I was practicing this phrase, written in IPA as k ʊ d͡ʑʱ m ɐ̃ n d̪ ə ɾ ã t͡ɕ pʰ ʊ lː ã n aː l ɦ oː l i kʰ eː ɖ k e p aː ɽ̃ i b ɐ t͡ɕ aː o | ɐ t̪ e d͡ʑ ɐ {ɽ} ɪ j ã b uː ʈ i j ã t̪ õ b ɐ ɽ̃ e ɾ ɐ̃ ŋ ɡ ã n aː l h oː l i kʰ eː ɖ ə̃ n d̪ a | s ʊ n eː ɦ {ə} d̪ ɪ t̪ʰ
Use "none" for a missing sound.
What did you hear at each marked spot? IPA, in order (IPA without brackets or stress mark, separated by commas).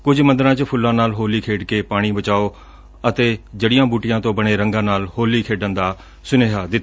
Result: ɽ, a